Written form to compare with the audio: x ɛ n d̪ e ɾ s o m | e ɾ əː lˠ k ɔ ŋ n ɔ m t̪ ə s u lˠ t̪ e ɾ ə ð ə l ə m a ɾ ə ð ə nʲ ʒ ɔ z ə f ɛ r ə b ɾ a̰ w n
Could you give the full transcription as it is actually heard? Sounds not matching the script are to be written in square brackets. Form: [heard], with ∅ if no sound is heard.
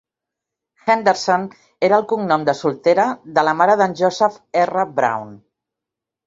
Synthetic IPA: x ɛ n d̪ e ɾ s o [n] | e ɾ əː lˠ k [u] ŋ n ɔ m [d̪] ə s u lˠ t̪ e ɾ ə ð ə l ə m a ɾ ə ð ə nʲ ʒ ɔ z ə f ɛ r ə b ɾ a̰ w n